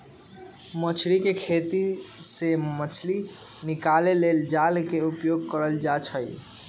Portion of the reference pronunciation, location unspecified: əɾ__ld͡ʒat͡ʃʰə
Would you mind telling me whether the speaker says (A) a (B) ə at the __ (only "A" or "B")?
B